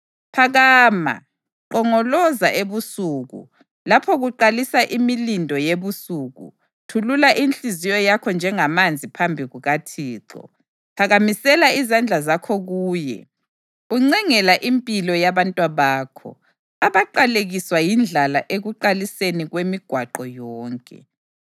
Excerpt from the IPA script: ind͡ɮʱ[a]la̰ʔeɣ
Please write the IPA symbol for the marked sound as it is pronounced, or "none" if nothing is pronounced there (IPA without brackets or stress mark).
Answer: a